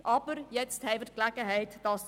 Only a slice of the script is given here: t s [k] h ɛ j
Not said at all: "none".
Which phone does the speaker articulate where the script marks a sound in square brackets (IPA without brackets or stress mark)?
t